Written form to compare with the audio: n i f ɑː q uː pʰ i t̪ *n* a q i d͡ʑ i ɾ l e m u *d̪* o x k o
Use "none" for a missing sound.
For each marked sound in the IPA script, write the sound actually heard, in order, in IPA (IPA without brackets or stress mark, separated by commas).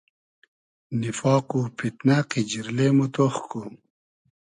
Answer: n, t̪